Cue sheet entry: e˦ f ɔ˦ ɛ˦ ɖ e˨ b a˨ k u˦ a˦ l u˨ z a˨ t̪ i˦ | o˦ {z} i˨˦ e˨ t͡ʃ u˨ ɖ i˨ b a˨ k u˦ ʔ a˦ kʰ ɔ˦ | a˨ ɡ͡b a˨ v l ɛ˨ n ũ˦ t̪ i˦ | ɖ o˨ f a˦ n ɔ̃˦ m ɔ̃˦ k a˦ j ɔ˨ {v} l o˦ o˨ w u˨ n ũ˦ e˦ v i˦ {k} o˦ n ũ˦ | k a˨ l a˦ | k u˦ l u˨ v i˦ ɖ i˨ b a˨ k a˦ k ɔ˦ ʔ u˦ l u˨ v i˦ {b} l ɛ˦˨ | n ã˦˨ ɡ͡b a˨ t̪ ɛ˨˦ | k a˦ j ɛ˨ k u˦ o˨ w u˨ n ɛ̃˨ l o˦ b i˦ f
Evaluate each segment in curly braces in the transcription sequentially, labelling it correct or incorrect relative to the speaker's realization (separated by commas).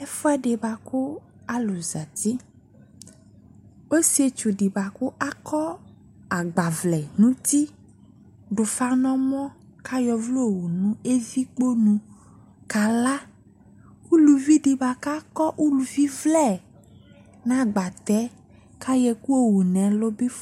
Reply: incorrect, correct, incorrect, incorrect